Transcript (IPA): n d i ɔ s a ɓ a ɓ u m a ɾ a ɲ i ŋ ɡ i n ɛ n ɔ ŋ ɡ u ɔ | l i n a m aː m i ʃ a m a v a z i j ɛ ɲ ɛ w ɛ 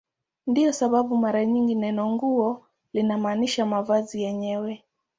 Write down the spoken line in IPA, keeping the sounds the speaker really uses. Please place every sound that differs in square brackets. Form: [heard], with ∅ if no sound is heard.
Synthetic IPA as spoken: n d i ɔ s a ɓ a ɓ u m a ɾ a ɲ i ŋ ɡ i n ɛ n ɔ ŋ ɡ u ɔ | l i n a m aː [n] i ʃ a m a v a z i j ɛ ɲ ɛ w ɛ